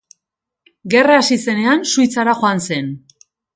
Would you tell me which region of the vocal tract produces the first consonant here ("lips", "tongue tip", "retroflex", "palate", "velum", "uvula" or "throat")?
velum